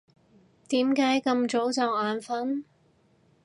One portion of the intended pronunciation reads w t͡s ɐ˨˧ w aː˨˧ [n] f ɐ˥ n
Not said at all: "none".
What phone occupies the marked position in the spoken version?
n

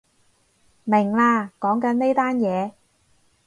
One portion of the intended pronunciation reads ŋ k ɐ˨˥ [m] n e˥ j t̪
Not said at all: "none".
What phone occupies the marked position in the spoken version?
n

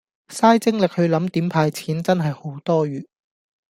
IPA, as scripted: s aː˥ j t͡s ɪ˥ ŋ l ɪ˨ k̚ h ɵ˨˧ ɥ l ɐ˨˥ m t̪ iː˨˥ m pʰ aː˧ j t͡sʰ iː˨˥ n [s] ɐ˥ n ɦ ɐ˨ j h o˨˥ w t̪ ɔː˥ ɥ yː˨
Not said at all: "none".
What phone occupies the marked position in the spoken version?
t͡s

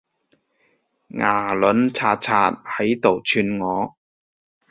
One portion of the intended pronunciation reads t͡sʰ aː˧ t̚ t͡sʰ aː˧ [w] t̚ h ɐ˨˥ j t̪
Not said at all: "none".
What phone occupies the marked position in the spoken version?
none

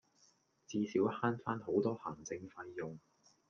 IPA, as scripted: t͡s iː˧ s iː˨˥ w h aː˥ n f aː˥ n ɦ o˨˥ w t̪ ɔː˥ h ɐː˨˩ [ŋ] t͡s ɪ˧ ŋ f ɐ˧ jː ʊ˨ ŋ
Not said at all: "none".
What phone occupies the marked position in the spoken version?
ŋ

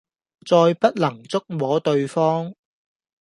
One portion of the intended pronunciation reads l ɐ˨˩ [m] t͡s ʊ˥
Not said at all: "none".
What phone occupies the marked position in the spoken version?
ŋ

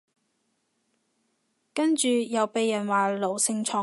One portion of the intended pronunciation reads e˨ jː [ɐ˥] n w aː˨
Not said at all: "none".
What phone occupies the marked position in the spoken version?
ɐ˨˩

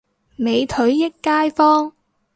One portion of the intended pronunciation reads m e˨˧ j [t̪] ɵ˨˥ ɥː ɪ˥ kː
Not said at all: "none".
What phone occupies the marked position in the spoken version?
t̪ʰ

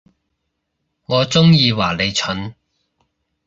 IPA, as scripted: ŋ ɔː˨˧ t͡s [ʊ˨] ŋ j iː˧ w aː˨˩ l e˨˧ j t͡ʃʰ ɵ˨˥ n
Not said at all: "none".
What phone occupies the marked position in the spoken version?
ʊ˥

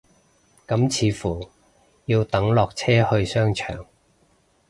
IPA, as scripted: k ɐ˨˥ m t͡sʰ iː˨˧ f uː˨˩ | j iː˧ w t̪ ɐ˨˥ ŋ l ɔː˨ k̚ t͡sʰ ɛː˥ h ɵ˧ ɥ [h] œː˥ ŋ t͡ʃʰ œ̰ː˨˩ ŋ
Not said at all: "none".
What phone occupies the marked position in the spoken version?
s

